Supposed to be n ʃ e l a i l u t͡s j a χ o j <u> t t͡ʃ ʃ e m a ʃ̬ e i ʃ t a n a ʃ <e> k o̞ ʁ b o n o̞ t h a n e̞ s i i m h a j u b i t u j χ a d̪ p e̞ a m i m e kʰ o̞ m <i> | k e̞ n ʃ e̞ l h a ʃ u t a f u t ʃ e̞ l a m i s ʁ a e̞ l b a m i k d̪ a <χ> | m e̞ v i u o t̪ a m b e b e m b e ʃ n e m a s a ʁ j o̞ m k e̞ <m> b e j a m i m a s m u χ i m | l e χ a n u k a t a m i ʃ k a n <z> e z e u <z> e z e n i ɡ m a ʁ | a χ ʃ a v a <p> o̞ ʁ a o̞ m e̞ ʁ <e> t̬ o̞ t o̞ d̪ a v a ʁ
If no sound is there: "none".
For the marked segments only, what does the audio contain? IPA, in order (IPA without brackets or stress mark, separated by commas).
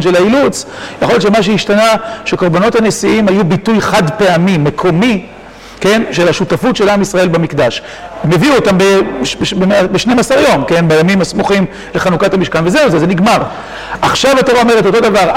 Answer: o, e, i, ʃ, n, v, z, t, e